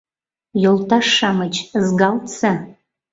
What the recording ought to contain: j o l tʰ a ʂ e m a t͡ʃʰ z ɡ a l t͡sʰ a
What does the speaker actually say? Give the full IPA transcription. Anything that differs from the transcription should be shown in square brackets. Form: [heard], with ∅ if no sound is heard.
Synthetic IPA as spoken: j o l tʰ a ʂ [a] m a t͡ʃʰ z ɡ a l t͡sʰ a